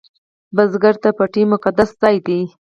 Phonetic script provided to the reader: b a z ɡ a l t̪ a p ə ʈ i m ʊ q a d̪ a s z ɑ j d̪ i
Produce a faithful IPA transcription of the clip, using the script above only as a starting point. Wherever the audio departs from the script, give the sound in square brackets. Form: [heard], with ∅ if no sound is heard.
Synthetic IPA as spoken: b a z ɡ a [ɾ] t̪ a p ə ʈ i m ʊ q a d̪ a s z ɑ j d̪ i